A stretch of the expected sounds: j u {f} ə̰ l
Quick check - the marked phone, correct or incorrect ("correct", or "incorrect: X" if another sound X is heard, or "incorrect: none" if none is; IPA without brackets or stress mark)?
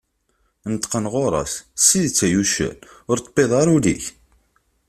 incorrect: ʃ